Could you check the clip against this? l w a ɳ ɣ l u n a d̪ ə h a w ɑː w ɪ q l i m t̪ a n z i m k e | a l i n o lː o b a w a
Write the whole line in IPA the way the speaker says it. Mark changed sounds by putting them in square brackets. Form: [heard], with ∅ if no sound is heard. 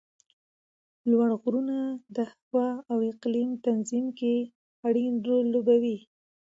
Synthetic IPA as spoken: l w a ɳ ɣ [ɾ] u n a d̪ ə h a w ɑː w ɪ q l i m t̪ a n z i m k e | a [ɽ] i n o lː o b a w [i]